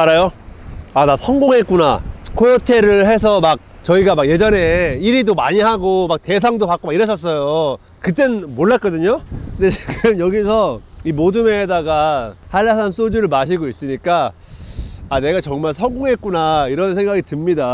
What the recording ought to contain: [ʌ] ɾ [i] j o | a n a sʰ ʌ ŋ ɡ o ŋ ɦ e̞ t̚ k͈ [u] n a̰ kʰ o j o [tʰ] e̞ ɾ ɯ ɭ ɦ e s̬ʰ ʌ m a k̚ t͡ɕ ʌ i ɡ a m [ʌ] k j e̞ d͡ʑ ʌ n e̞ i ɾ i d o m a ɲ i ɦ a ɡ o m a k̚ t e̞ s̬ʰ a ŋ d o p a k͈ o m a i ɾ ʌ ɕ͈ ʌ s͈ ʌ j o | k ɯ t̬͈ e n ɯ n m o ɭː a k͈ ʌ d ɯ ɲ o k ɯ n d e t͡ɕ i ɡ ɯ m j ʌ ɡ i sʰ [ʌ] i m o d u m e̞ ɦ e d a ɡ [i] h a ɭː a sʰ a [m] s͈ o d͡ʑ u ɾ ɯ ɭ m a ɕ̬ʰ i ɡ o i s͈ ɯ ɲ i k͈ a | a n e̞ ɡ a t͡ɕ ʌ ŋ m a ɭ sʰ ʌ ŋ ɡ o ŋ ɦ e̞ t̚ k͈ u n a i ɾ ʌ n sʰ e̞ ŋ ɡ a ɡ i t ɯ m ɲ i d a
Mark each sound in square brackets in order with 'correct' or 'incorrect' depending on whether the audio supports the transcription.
incorrect, incorrect, correct, correct, incorrect, correct, incorrect, incorrect

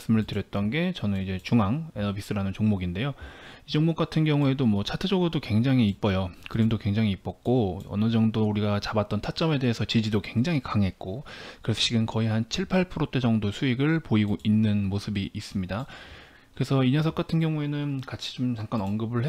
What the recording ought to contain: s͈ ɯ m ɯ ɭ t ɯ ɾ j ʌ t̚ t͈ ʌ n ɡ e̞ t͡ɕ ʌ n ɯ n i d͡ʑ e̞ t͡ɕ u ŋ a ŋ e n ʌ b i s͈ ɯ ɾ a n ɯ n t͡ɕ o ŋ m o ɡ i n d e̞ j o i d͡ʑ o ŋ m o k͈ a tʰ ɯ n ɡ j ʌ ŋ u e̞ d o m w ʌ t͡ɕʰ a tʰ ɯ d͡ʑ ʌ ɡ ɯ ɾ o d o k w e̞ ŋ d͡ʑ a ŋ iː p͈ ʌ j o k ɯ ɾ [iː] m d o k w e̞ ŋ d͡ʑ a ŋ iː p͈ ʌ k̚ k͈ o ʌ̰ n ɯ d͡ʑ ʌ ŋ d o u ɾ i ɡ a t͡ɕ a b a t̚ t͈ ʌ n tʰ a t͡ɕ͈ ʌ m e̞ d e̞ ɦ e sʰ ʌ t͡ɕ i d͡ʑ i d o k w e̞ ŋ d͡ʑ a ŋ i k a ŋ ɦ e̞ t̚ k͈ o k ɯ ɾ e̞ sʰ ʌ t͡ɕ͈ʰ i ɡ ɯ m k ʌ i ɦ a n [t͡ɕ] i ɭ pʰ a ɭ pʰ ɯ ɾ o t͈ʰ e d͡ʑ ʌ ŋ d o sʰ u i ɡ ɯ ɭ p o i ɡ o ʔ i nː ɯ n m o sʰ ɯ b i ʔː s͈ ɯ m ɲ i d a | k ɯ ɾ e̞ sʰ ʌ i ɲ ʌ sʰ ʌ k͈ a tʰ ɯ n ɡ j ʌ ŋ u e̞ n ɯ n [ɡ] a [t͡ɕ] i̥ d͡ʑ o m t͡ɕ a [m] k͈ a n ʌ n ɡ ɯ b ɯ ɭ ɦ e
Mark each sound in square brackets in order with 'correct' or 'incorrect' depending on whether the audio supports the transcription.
incorrect, incorrect, incorrect, incorrect, incorrect

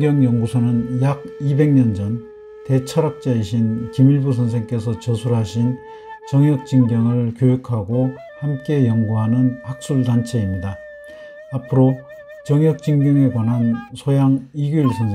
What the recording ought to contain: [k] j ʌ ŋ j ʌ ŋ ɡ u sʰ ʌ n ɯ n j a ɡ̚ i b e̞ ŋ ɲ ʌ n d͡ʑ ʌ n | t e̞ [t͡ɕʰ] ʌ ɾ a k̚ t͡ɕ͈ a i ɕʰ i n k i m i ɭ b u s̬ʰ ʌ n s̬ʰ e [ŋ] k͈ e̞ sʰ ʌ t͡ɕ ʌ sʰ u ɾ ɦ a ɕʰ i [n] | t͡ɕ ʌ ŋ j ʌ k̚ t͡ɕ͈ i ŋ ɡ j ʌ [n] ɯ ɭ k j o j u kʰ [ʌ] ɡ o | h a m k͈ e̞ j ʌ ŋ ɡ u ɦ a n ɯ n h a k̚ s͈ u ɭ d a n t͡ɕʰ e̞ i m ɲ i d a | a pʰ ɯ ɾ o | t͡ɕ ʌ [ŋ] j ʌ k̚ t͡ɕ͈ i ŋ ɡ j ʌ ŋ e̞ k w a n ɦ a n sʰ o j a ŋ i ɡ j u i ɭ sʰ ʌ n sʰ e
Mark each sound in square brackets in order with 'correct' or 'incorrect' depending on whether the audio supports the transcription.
incorrect, correct, correct, correct, incorrect, incorrect, correct

